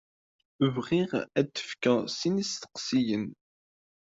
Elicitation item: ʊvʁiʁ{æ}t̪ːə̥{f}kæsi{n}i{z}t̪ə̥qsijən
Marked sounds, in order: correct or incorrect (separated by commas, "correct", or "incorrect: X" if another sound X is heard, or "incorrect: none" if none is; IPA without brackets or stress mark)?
correct, correct, correct, incorrect: s